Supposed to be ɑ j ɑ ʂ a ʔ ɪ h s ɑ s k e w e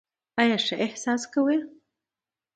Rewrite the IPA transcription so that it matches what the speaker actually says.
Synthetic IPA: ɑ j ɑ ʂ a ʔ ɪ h s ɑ s k a w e